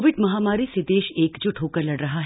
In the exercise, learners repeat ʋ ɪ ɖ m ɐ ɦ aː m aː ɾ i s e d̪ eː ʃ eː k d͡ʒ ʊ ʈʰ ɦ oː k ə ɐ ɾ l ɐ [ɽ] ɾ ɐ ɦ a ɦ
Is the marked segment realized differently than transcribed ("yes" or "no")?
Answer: no